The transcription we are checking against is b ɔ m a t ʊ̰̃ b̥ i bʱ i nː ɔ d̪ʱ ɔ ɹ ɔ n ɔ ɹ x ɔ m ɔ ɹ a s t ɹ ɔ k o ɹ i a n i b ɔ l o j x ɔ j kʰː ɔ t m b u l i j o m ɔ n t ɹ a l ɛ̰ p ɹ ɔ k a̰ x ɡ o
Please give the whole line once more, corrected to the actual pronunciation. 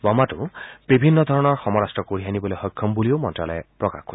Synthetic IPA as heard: b ɔ m a t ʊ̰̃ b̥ i bʱ i nː ɔ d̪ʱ ɔ ɹ ɔ n ɔ ɹ x ɔ m ɔ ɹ a s t ɹ ɔ k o ɹ i a n i b ɔ l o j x ɔ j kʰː ɔ m b u l i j o m ɔ n t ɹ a l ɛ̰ p ɹ ɔ k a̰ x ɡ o